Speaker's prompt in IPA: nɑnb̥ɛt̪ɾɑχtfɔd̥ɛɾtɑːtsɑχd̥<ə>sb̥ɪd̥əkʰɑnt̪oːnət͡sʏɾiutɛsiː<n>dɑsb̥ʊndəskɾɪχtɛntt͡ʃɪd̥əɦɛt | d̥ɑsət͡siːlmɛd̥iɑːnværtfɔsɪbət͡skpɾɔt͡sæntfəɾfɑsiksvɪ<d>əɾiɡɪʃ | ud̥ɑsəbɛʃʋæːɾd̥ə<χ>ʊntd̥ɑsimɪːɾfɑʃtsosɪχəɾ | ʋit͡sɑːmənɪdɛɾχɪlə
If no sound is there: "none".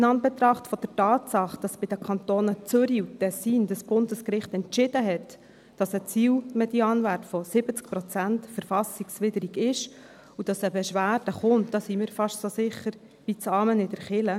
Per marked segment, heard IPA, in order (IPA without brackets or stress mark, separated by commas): ɑ, n, d, χ